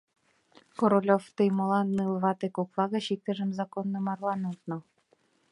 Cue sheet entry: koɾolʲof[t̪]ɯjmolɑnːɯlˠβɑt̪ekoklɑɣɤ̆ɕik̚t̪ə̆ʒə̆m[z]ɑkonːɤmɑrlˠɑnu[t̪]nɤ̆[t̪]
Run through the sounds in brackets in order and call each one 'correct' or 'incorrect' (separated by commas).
correct, correct, correct, incorrect